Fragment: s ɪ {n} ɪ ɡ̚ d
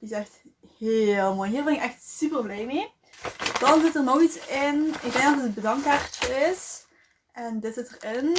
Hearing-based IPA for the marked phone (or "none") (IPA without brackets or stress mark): n